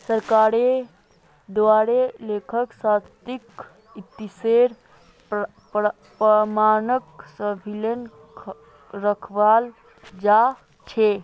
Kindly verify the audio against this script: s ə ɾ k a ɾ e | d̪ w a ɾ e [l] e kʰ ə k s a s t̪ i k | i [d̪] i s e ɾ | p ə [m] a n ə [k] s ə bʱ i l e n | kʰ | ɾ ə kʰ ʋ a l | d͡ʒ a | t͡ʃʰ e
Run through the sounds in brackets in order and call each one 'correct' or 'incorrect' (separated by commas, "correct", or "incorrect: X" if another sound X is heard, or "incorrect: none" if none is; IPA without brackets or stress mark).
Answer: correct, incorrect: t̪, correct, correct